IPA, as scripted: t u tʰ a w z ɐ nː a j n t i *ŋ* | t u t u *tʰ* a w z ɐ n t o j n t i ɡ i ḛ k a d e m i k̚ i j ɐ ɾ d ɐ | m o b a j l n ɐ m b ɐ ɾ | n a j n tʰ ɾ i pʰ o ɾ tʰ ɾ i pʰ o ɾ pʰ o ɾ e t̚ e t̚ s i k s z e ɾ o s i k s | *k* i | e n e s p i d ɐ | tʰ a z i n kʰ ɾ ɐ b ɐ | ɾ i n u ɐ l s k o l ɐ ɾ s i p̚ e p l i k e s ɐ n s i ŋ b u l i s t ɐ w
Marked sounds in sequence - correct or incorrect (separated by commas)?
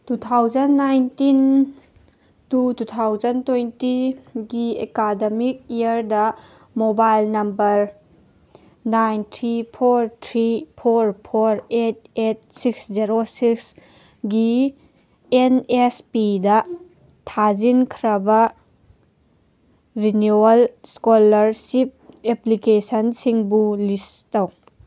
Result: incorrect, correct, incorrect